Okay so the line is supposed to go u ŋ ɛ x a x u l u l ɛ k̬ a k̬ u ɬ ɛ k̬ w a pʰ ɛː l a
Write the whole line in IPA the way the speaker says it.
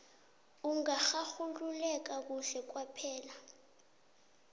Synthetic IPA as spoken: u ŋ a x a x u l u l ɛ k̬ a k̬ u ɬ ɛ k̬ w a pʰ ɛː l a

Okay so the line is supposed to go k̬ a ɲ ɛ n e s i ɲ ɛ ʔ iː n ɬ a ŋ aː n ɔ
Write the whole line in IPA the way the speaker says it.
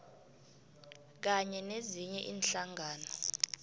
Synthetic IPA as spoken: k̬ a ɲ ɛ n e z i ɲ ɛ ʔ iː n ɬ a ŋ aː n ɔ

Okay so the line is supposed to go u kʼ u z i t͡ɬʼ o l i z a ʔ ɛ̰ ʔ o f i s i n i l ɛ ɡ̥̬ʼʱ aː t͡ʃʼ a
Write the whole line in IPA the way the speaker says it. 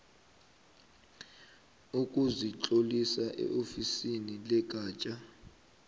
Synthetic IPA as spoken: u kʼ u z i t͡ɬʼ o l i s a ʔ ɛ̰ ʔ o f i s i n i l ɛ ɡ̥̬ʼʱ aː t͡ʃʼ a

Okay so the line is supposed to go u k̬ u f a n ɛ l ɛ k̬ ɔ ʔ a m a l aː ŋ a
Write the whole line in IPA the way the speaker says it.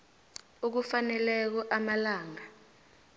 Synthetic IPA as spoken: u k̬ u f a n ɛ l ɛ k̬ ɔ ʔ a m a l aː ŋ a

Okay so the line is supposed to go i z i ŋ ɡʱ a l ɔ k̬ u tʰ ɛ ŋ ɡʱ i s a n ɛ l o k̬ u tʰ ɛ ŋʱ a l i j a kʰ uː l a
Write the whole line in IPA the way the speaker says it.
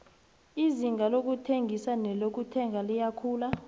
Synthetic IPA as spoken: i z i ŋ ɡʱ a l o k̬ u tʰ e ŋ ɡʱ i s a n ɛ l o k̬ u tʰ ɛ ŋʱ a l i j a kʰ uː l a

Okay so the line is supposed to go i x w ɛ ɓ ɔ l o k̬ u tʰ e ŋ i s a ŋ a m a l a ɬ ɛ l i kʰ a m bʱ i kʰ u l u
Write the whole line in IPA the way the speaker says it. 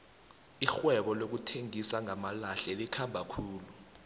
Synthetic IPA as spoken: i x w ɛ ɓ ɔ l o k̬ u tʰ e ŋ i s a ŋ a m a l a ɬ ɛ l i kʰ a m bʱ a kʰ uː l u

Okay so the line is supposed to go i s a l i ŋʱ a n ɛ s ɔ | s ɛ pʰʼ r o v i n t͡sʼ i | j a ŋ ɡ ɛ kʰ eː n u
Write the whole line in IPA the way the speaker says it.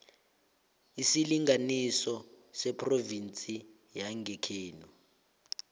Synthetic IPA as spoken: i s i l i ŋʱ a n i s ɔ | s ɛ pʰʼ r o v i n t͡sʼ i | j a ŋ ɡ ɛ kʰ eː n u

